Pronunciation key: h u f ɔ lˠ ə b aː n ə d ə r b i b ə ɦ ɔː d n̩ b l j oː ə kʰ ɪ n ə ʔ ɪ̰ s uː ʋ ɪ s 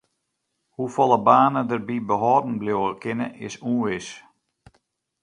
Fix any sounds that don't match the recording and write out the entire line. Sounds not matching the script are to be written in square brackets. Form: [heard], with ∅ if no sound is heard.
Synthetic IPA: h u f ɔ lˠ ə b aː n ə d ə r b i b ə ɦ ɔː d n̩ b l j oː ə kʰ ɪ n ə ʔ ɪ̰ s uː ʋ ɪ s

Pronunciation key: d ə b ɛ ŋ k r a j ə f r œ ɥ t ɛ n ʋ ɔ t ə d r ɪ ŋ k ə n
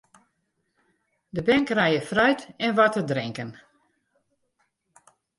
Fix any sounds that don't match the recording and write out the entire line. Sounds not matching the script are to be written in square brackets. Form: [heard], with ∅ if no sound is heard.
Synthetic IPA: d ə b ɛ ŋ k r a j ə f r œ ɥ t ɛ n ʋ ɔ t ə d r ɪ ŋ k ə n

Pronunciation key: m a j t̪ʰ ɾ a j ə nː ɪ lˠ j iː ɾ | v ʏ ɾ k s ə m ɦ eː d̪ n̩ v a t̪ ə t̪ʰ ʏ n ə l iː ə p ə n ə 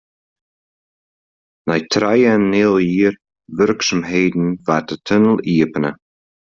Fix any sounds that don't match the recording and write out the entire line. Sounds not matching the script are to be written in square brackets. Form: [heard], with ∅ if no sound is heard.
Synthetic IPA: [n] a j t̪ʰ ɾ a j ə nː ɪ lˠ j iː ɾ | v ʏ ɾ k s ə m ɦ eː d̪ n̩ v a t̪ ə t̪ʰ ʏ n ə l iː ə p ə n ə

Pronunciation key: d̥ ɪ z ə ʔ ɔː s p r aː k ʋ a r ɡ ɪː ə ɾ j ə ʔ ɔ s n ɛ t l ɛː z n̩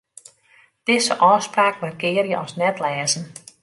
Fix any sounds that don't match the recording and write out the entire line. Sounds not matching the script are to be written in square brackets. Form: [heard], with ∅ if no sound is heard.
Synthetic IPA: d̥ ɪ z ə ʔ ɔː s p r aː k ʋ a r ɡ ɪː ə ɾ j ə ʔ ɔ s n ɛ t l ɛː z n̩

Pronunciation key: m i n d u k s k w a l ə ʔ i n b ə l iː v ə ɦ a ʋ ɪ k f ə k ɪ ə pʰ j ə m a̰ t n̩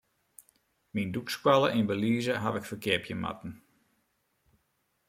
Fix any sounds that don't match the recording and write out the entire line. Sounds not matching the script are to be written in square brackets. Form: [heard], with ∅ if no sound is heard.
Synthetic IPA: m i n d u k s k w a l ə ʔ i n b ə l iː [z] ə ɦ a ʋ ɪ k f ə k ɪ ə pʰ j ə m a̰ t n̩

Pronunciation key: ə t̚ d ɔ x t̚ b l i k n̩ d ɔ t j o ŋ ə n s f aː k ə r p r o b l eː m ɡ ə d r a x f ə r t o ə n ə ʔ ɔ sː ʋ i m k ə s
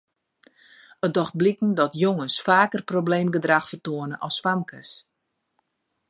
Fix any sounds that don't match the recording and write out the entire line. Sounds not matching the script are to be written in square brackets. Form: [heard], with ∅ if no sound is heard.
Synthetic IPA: ə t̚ d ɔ x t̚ b l i k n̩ d ɔ t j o ŋ ə n s f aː k ə r p r o b l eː m ɡ ə d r a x f ə r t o ə n ə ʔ ɔ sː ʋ [a] m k ə s

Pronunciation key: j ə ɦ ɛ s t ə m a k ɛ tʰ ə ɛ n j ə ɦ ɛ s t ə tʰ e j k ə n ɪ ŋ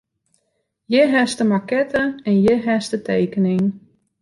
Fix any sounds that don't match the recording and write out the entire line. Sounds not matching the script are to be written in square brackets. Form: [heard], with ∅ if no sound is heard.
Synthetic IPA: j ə ɦ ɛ s t ə m a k ɛ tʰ ə ɛ n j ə ɦ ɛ s t ə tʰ e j k ə n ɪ ŋ

